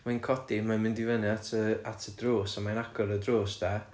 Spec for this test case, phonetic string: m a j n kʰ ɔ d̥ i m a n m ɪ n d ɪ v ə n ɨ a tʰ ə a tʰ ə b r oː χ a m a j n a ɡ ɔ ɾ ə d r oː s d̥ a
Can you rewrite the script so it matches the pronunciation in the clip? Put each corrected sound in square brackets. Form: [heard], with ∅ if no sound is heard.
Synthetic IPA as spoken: m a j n kʰ ɔ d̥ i m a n m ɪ n d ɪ v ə n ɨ a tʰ ə a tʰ ə [d] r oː [s] a m a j n a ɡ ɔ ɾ ə d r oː s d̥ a